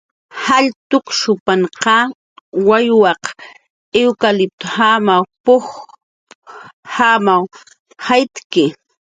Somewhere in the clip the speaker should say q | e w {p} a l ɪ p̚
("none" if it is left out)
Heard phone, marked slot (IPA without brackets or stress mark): k